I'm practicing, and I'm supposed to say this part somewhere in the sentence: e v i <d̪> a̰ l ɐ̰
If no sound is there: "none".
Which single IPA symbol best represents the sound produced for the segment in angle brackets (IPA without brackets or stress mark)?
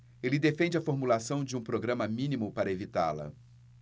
t̪